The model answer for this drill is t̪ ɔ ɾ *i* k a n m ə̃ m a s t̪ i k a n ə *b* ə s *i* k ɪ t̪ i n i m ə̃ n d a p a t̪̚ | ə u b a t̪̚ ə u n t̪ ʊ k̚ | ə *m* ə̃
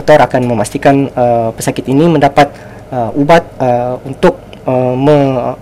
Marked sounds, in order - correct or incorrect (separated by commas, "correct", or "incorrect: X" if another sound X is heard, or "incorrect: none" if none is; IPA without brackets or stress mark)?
incorrect: a, incorrect: p, incorrect: a, correct